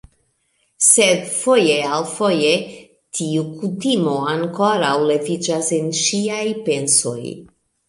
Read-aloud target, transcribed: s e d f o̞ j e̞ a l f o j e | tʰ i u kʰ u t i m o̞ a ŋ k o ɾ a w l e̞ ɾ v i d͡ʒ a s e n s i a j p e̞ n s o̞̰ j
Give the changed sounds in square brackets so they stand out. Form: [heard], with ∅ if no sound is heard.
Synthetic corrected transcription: s e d f o̞ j e̞ a l f o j e | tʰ i u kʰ u t i m o̞ a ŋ k o ɾ a w l e̞ [∅] v i d͡ʒ a s e n [ʃ] i a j p e̞ n s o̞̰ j

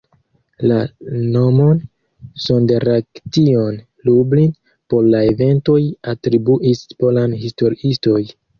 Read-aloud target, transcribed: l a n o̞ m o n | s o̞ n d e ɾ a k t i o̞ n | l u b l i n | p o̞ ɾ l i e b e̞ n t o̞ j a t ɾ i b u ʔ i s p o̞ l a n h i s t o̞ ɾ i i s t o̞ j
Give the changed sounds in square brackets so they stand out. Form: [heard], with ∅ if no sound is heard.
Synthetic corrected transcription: l a n o̞ m o n | s o̞ n d e ɾ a k t i o̞ n | l u b l i n | p o̞ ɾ l [a] e [v] e̞ n t o̞ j a t ɾ i b u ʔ i s p o̞ l a n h i s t o̞ ɾ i i s t o̞ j

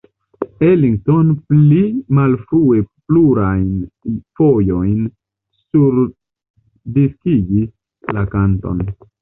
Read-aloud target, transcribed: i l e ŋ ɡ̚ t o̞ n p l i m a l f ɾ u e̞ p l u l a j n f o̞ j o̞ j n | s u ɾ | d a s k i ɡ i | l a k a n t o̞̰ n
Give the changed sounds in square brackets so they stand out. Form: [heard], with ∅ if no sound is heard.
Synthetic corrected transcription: [e] l [i] ŋ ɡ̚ t o̞ n p l i m a l f ɾ u e̞ p l u [ɾ] a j n f o̞ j o̞ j n | s u ɾ | d [i] s k i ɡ i | l a k a n t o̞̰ n

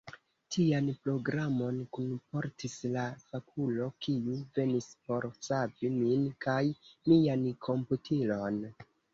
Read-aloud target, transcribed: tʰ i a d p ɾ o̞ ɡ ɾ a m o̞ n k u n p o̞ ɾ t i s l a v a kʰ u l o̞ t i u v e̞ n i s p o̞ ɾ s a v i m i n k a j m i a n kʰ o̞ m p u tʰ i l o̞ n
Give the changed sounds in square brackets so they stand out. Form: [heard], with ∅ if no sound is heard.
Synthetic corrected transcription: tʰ i a [n] p ɾ o̞ ɡ ɾ a m o̞ n k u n p o̞ ɾ t i s l a [f] a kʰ u l o̞ [k] i u v e̞ n i s p o̞ ɾ s a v i m i n k a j m i a n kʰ o̞ m p u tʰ i l o̞ n

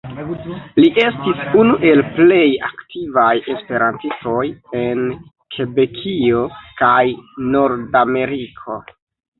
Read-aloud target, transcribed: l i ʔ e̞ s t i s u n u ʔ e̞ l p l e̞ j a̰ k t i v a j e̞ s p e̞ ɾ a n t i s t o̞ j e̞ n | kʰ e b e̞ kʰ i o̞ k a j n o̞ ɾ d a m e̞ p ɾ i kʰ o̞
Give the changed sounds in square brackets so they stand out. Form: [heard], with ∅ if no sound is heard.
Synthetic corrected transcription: l i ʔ e̞ s t i s u n u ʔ e̞ l p l e̞ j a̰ k t i v a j e̞ s p e̞ ɾ a n t i s t o̞ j e̞ n | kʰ e b e̞ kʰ i o̞ k a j n o̞ ɾ d a m e̞ [∅] ɾ i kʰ o̞

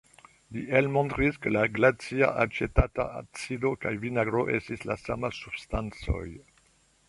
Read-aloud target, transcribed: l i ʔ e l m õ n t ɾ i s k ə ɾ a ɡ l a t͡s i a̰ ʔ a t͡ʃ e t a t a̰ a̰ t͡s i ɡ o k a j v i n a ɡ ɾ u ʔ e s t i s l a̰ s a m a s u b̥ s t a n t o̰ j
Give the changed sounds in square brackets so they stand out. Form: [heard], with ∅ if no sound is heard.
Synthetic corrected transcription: l i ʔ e l m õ n t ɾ i s k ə [l] a ɡ l a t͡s i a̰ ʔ a t͡ʃ e t a t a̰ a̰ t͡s i [d] o k a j v i n a ɡ ɾ [o] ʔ e s t i s l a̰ s a m a s u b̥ s t a n [t͡s] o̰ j

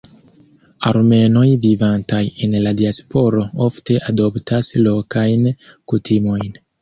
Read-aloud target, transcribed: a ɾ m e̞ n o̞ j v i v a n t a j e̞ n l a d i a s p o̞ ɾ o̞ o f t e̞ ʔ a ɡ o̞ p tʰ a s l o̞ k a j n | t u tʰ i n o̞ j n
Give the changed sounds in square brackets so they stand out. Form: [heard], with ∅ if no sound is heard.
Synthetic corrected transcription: a ɾ m e̞ n o̞ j v i v a n t a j e̞ n l a d i a s p o̞ ɾ o̞ o f t e̞ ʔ a [d] o̞ p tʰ a s l o̞ k a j n | [k] u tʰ i [m] o̞ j n

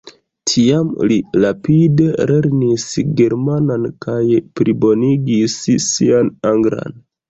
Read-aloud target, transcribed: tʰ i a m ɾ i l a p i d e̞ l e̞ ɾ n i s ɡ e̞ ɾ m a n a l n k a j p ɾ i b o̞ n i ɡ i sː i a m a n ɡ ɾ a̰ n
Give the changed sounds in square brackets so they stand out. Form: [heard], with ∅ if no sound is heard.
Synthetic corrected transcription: tʰ i a m [l] i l a p i d e̞ l e̞ ɾ n i s ɡ e̞ ɾ m a n a [∅] n k a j p ɾ i b o̞ n i ɡ i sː i a [n] a [ŋ] ɡ ɾ a̰ n

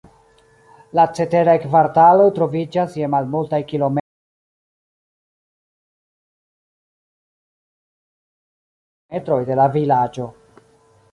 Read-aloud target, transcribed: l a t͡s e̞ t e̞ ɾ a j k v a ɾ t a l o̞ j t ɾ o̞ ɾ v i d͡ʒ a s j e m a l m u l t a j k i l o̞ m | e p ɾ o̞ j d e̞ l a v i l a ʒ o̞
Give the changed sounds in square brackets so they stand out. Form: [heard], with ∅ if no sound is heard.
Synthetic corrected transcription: l a t͡s e̞ t e̞ ɾ a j k v a ɾ t a l o̞ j t ɾ o̞ [∅] v i d͡ʒ a s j e m a l m u l t a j k i l o̞ m | e [t] ɾ o̞ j d e̞ l a v i l a [d͡ʒ] o̞

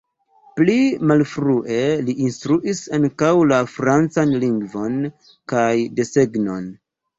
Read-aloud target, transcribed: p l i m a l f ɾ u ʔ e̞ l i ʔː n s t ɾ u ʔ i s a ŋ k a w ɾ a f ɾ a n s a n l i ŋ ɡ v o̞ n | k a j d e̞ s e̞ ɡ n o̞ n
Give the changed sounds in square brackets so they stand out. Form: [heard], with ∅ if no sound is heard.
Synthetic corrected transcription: p l i m a l f ɾ u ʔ e̞ l i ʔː n s t ɾ u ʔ i s a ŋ k a w [l] a f ɾ a n [t͡s] a n l i ŋ ɡ v o̞ n | k a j d e̞ s e̞ ɡ n o̞ n

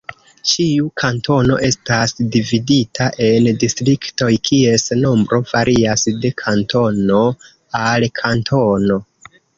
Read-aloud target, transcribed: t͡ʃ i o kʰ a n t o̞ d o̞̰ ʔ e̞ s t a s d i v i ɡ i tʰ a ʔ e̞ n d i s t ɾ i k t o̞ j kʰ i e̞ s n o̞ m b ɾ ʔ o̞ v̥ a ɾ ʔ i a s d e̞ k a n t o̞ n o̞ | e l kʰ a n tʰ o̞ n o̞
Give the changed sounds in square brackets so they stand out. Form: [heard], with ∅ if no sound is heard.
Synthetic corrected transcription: t͡ʃ i [u] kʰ a n t o̞ [n] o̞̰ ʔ e̞ s t a s d i v i [d] i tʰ a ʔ e̞ n d i s t ɾ i k t o̞ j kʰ i e̞ s n o̞ m b ɾ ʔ o̞ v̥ a ɾ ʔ i a s d e̞ [kʰ] a n t o̞ n o̞ | [a] l kʰ a n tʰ o̞ n o̞

